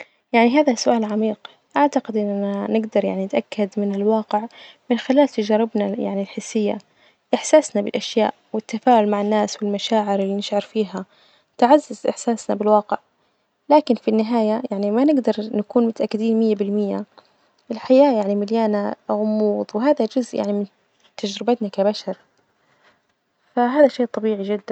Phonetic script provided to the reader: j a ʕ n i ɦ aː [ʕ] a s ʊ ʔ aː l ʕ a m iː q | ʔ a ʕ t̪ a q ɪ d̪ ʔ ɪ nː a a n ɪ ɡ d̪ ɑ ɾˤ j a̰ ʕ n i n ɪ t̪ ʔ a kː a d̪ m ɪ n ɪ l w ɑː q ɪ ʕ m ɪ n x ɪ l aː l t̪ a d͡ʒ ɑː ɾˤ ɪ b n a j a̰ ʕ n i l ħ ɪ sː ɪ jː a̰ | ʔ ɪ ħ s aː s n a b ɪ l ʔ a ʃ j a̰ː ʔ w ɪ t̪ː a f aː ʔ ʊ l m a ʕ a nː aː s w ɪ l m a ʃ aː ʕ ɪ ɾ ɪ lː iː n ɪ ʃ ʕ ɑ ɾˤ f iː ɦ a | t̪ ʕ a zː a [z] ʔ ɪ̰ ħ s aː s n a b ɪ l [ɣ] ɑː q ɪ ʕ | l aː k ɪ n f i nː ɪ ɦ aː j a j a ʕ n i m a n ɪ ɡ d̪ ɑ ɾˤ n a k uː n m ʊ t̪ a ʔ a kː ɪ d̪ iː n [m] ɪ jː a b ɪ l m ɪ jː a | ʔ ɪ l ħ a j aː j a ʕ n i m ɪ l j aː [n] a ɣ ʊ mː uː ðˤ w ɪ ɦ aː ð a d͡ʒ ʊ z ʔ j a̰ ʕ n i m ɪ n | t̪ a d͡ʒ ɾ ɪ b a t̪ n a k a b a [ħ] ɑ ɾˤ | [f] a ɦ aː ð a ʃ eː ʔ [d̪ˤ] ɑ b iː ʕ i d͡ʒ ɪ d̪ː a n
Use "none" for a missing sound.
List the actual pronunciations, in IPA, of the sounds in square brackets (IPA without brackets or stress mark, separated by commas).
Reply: ð, z, w, m, n, ʃ, f, t̪ˤ